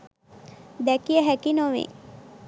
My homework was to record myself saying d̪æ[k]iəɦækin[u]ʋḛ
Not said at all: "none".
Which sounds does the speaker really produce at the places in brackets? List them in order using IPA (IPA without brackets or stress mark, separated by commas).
k, o